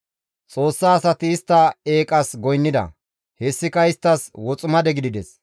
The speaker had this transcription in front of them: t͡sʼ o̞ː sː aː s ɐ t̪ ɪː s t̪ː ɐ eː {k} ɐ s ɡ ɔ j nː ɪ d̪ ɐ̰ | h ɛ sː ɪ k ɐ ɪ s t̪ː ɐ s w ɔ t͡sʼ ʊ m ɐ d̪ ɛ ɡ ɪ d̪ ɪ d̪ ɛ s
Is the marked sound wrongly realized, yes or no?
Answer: yes